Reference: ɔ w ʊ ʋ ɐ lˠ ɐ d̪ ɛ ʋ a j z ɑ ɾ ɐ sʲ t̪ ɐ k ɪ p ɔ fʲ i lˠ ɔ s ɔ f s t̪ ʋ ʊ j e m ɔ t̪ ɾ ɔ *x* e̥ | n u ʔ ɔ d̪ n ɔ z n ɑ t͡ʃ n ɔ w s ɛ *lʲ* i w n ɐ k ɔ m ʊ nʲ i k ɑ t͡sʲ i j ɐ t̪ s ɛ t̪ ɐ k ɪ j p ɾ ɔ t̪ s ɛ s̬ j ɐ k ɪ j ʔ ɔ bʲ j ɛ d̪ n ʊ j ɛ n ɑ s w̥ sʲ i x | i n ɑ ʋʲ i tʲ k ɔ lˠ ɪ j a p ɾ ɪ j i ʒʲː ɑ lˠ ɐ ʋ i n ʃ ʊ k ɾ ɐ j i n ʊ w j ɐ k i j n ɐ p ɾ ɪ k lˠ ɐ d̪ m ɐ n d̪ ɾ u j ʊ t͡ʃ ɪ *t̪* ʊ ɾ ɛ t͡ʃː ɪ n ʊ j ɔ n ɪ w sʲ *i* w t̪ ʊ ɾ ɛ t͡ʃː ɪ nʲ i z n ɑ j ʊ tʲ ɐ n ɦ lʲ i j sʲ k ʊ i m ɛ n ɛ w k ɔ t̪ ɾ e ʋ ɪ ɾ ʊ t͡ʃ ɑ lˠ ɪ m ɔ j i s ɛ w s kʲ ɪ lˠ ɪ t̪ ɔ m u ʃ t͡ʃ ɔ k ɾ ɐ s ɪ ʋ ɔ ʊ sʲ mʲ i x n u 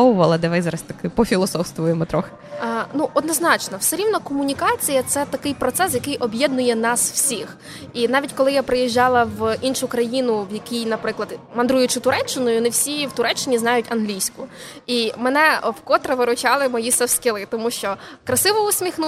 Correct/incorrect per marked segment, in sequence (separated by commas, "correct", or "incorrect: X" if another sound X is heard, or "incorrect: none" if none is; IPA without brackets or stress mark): correct, incorrect: ɾʲ, correct, correct